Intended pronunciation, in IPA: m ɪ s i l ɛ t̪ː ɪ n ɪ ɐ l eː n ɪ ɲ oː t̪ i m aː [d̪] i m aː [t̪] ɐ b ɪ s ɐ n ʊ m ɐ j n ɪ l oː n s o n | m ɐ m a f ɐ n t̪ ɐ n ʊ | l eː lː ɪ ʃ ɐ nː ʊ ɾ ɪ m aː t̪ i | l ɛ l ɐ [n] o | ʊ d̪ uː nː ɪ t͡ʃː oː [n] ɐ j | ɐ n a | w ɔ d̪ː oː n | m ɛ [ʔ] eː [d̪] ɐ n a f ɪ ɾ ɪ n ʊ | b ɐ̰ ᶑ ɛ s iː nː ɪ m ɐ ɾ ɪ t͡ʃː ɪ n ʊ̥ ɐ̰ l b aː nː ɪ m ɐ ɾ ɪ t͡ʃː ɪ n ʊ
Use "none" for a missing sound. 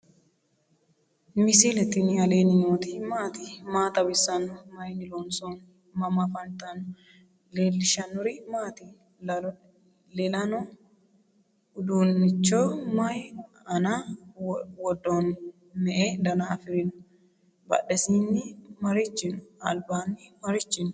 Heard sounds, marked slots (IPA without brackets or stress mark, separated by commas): t̪, t̪, n, m, ʔ, d̪